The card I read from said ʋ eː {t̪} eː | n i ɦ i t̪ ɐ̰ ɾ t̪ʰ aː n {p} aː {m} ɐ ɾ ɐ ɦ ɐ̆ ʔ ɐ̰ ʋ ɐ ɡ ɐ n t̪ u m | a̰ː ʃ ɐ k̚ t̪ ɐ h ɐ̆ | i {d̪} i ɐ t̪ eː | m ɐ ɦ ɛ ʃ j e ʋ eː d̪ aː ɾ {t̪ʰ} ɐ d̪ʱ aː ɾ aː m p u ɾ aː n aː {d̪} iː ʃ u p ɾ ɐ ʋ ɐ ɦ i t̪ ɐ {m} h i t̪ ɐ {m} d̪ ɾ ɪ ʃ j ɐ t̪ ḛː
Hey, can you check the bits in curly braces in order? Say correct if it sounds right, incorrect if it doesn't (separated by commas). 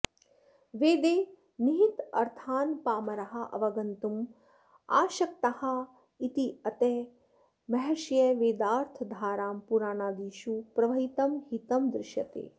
incorrect, correct, correct, incorrect, correct, correct, correct, correct